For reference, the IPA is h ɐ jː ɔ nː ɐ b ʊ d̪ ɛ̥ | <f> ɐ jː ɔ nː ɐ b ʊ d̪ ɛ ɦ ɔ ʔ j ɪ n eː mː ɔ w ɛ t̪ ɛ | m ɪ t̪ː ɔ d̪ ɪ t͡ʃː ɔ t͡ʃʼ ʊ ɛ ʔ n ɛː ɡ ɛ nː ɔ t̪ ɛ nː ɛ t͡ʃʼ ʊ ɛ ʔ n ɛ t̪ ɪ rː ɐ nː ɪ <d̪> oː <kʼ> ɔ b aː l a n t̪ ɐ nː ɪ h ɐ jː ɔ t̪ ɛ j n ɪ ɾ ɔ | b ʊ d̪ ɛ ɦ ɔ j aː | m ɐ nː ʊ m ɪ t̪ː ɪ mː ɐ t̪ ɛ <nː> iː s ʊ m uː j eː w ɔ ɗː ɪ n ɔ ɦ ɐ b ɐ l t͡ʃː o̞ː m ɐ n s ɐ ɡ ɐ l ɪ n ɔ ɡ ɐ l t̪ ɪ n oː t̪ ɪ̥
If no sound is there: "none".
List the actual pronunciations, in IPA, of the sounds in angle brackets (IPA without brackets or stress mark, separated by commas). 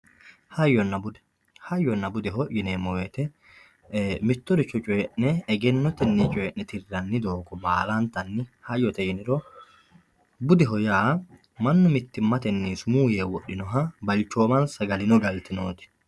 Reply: h, d̪, k, nː